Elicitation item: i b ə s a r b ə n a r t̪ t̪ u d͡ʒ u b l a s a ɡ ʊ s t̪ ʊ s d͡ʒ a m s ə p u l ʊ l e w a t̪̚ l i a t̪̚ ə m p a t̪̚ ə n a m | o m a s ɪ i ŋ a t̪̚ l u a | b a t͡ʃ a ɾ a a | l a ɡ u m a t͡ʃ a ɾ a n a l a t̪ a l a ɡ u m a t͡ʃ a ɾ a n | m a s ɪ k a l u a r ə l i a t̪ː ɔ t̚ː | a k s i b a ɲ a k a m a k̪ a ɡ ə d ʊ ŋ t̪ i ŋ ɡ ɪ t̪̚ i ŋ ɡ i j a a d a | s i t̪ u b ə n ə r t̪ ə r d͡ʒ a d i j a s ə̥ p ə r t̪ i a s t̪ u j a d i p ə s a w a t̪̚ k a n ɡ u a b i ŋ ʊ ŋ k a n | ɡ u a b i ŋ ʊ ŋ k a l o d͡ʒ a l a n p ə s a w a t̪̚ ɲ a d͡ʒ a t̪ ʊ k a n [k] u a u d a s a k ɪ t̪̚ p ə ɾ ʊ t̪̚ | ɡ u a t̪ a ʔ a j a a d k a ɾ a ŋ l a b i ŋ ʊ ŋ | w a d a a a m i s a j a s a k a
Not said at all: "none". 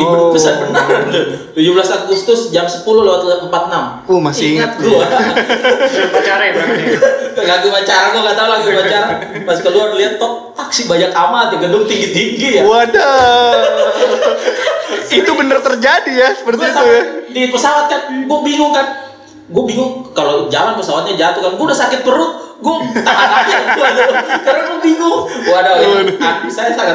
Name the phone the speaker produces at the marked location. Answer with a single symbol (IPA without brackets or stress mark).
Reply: ɡ